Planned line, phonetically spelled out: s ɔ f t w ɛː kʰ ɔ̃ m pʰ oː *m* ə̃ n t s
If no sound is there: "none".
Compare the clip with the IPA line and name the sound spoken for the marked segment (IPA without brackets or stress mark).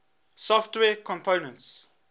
n